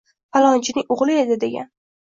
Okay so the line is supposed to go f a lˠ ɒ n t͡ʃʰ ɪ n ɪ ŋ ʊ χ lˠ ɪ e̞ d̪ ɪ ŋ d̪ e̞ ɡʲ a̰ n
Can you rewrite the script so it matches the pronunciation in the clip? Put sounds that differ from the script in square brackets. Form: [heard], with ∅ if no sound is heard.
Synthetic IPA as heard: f a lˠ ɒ n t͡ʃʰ ɪ n ɪ ŋ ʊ [ʁ] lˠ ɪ e̞ d̪ ɪ [∅] d̪ e̞ ɡʲ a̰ n